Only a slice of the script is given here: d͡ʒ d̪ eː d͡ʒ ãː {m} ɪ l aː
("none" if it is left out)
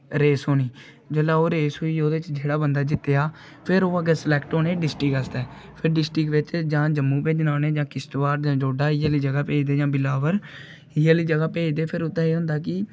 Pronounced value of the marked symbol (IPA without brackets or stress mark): b